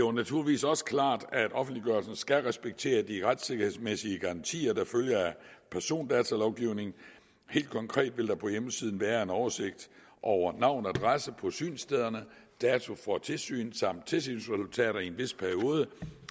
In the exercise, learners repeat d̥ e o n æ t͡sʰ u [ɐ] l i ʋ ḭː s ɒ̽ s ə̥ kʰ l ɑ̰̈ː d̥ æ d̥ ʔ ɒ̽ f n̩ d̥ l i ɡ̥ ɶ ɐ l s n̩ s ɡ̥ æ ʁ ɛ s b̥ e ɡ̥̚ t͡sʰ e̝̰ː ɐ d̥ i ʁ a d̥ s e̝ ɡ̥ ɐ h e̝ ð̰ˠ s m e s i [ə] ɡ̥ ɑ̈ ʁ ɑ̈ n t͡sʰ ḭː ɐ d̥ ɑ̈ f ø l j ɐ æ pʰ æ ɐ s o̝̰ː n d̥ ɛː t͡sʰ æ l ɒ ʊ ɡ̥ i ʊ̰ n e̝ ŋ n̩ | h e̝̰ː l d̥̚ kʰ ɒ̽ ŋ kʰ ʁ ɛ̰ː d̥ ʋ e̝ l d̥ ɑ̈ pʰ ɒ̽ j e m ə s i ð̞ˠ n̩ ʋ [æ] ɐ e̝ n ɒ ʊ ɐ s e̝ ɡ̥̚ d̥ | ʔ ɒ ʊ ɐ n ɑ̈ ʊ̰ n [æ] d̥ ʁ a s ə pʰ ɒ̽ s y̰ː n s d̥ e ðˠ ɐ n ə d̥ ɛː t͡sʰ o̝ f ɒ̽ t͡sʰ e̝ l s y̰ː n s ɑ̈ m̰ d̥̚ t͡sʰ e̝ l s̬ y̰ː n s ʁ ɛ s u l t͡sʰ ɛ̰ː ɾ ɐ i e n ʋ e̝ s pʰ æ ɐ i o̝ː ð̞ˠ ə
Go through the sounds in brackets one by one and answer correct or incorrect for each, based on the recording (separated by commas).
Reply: correct, correct, incorrect, correct